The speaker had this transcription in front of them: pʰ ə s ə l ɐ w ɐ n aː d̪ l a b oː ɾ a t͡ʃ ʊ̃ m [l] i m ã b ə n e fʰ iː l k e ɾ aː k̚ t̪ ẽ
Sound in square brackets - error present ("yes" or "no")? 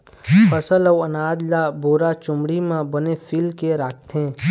yes